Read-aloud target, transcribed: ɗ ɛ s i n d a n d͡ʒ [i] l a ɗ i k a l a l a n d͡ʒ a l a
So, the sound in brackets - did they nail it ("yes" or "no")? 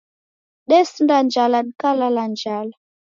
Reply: no